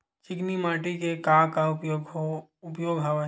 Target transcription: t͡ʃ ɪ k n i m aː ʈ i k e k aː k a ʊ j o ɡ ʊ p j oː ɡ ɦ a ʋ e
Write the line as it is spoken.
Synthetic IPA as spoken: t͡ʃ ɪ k n i m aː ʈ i k e k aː k a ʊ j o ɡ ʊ p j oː ɡ ɦ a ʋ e